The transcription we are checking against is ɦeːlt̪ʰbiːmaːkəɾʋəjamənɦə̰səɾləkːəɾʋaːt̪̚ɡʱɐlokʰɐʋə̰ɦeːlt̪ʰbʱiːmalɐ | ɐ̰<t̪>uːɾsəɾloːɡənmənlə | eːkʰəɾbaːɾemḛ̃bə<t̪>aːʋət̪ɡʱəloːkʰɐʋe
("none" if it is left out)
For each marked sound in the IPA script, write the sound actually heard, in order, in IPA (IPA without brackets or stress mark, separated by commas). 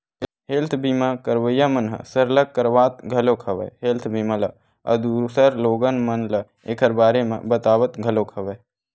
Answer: d̪, t̪